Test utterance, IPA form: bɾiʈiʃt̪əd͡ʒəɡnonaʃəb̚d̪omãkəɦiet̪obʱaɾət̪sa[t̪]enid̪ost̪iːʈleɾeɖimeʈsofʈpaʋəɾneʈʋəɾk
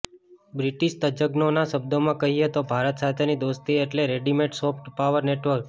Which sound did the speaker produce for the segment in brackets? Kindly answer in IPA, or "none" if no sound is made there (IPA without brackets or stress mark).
t̪ʰ